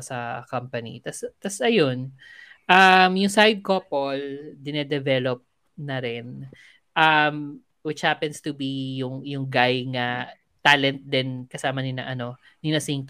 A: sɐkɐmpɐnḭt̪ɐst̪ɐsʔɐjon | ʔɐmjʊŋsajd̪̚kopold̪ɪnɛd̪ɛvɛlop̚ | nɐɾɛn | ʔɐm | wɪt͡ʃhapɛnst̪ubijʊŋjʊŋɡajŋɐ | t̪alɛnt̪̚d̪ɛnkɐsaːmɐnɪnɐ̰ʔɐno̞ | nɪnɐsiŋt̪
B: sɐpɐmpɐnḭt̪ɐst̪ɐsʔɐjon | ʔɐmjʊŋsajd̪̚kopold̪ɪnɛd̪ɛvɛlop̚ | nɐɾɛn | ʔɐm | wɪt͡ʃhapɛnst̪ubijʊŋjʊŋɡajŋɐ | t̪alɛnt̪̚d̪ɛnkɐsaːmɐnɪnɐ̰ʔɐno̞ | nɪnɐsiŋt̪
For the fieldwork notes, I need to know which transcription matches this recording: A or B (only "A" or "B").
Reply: A